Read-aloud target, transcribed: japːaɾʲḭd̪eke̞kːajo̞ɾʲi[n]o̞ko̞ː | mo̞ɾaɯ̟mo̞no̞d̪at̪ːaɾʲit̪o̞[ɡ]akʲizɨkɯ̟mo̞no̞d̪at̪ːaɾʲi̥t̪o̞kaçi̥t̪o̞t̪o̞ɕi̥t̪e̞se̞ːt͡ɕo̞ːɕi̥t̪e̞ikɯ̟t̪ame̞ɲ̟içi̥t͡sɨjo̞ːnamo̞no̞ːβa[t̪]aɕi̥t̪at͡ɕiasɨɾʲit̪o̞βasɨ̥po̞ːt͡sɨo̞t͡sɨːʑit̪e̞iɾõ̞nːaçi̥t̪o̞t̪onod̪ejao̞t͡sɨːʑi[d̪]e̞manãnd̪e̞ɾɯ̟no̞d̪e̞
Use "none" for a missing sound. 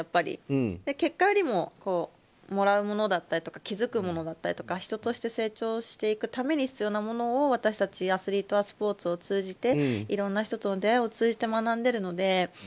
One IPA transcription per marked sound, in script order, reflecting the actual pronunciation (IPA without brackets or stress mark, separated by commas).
m, k, t̪, t̪